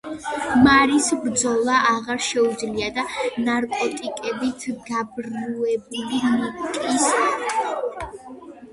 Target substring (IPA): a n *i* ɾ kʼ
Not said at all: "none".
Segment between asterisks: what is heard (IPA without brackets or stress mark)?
a